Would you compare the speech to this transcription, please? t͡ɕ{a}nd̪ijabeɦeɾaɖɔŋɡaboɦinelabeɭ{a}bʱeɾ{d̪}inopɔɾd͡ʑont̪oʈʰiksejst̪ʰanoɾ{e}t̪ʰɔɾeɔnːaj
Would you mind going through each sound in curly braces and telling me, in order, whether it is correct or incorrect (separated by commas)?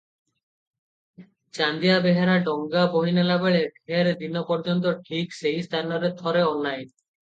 correct, incorrect, correct, correct